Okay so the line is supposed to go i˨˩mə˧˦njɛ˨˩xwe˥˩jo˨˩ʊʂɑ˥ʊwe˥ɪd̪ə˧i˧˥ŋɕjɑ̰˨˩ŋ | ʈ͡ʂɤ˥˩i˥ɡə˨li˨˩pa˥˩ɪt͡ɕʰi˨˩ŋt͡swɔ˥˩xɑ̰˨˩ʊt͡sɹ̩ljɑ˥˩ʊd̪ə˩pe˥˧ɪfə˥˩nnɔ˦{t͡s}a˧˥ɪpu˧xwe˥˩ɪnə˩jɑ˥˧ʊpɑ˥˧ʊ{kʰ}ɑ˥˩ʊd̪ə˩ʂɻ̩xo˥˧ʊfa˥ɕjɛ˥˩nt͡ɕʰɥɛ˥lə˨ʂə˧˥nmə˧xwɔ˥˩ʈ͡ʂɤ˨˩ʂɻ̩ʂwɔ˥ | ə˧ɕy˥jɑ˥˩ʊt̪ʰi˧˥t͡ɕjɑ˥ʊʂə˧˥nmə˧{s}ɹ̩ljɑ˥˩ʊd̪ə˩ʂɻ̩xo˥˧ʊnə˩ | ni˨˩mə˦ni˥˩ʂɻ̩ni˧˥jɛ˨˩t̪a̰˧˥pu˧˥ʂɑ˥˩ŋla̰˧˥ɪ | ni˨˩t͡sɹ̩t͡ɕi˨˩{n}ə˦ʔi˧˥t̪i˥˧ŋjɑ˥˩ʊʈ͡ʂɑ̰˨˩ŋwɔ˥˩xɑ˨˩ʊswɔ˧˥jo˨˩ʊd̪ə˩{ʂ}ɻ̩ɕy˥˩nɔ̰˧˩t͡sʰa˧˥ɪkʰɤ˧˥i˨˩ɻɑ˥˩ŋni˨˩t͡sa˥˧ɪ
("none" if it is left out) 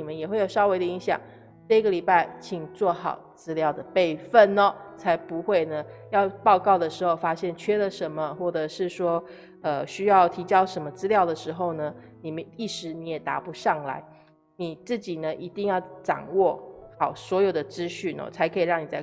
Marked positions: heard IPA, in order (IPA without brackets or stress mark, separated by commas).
t͡sʰ, k, t͡s, n, ʈ͡ʂ